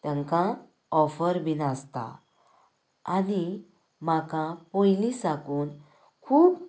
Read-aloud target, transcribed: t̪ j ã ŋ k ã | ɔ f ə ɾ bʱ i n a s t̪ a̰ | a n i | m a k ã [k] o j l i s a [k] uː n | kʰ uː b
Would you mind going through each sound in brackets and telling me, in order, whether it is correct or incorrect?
incorrect, correct

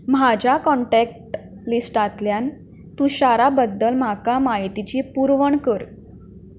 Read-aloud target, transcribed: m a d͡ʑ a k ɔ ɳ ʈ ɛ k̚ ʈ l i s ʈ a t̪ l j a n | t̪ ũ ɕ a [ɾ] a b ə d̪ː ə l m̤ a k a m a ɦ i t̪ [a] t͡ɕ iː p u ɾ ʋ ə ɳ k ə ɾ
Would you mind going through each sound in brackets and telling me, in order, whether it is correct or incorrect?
correct, incorrect

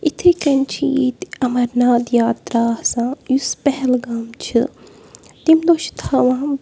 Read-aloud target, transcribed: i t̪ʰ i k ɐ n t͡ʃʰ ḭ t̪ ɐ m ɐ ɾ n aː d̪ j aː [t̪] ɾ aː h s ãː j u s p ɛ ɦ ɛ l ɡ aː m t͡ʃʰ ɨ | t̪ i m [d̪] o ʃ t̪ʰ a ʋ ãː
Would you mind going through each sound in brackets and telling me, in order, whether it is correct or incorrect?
correct, correct

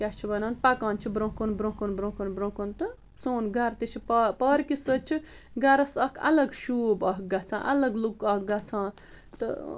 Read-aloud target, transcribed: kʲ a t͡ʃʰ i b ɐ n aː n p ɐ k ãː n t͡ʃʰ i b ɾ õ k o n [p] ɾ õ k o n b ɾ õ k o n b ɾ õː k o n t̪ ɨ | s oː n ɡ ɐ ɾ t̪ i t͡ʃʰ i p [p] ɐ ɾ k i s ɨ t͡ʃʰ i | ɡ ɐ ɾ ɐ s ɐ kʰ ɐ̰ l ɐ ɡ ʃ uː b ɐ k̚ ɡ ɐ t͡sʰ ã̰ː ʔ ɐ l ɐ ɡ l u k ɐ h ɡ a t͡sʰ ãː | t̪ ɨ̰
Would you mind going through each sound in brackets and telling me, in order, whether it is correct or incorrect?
incorrect, correct

